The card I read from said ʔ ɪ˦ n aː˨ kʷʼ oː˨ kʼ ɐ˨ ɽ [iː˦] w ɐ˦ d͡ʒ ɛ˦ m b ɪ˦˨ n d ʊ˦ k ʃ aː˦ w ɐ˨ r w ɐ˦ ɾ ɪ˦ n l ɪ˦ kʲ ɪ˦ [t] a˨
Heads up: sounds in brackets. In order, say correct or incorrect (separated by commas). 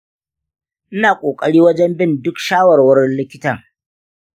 correct, correct